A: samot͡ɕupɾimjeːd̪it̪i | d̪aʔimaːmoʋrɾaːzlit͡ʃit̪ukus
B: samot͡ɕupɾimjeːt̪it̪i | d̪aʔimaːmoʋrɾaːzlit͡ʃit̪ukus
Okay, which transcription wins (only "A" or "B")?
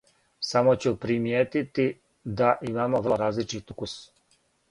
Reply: B